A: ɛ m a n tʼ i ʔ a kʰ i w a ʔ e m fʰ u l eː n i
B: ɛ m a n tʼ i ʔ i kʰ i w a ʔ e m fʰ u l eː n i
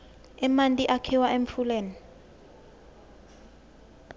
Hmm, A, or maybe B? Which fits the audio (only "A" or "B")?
A